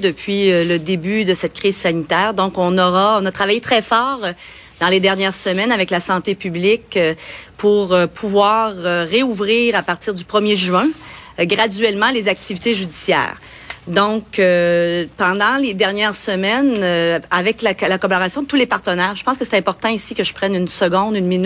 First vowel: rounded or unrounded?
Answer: unrounded